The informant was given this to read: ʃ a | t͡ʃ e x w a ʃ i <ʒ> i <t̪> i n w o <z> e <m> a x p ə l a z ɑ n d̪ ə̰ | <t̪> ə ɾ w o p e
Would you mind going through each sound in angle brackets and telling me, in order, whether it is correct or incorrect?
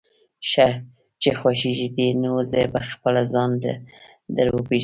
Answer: correct, incorrect, correct, incorrect, incorrect

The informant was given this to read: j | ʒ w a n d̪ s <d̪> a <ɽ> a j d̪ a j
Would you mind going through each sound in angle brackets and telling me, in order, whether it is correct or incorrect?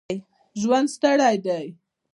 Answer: incorrect, correct

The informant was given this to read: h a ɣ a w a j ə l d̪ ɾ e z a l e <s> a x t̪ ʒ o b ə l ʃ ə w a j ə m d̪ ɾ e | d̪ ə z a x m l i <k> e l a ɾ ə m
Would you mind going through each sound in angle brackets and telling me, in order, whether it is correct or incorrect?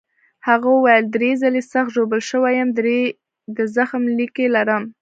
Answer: correct, correct

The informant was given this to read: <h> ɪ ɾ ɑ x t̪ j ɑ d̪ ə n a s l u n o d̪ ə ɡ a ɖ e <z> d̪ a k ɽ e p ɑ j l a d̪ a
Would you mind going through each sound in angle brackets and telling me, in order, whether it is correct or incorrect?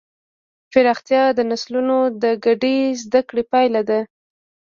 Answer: incorrect, correct

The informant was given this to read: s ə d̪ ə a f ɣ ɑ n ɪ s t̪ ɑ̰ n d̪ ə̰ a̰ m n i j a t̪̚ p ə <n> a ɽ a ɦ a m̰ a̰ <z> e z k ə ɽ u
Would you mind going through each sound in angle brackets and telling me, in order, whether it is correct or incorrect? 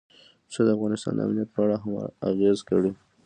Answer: incorrect, incorrect

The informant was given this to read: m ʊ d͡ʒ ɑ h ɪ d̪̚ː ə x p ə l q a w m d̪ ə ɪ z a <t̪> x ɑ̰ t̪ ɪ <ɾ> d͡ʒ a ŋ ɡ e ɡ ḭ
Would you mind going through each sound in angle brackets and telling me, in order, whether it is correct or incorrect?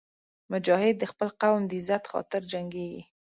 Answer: correct, correct

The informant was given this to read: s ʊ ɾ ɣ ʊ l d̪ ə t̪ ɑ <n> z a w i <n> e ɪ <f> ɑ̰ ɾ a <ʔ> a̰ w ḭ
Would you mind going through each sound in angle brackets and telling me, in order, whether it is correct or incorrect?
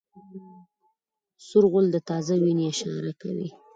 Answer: incorrect, correct, incorrect, incorrect

